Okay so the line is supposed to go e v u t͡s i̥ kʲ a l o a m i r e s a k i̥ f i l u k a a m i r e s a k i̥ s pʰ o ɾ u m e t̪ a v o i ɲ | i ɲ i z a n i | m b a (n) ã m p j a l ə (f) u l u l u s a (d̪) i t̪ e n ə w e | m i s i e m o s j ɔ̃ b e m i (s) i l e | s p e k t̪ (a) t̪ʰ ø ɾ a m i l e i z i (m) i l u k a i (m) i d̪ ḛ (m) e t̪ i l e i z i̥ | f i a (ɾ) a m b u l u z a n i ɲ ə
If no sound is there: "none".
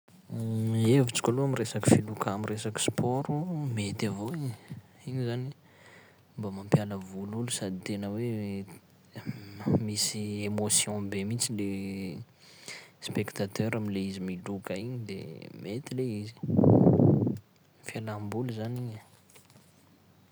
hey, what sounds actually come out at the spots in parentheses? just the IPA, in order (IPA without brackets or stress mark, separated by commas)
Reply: m, v, d̪, t͡s, a, m, ɲ, m, l